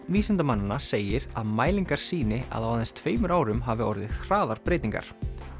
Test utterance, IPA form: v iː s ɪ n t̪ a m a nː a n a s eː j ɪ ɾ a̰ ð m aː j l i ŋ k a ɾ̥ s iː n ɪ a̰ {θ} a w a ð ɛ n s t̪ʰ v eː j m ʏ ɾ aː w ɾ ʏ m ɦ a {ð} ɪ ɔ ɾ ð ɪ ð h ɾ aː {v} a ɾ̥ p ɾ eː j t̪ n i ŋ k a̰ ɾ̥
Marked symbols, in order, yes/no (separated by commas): no, no, no